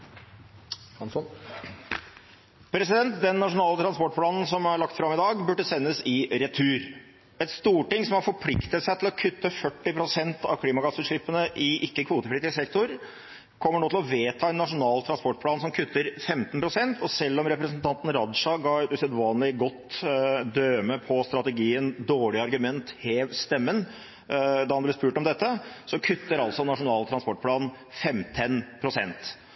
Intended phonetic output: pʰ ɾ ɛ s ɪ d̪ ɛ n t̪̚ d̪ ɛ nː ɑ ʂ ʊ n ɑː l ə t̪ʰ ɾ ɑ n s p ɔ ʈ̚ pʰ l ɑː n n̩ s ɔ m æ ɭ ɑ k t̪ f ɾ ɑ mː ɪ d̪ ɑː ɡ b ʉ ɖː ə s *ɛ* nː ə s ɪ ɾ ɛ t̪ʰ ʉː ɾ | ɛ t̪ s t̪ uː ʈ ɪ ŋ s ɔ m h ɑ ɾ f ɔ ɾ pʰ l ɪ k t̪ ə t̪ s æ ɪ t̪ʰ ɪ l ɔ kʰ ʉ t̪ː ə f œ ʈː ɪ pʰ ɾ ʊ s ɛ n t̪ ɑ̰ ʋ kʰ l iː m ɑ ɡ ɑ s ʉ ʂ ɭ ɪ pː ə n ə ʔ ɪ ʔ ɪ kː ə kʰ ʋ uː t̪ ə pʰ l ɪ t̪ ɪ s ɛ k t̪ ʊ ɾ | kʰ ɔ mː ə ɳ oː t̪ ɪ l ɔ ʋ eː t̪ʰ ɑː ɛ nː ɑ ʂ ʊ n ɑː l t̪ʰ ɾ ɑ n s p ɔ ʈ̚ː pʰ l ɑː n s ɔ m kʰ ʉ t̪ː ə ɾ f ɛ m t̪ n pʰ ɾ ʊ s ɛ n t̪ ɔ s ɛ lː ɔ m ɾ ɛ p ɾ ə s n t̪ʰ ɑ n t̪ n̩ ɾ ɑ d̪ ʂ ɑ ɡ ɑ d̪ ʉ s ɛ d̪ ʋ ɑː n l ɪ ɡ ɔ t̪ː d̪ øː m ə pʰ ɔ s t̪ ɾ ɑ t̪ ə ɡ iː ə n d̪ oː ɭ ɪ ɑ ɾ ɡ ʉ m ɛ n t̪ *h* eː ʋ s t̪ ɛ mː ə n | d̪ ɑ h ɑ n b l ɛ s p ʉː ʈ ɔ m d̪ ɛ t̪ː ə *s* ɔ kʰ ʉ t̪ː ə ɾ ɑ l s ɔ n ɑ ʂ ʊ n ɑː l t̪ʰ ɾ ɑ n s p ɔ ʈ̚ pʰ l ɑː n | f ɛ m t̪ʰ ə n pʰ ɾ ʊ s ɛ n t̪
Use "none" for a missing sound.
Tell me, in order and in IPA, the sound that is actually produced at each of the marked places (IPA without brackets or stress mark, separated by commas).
ɛ, h, s